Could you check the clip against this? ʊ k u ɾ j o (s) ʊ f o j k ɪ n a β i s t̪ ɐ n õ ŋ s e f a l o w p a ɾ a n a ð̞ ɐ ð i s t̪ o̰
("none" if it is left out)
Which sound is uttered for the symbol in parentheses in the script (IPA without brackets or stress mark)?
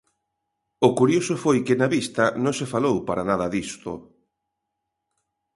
s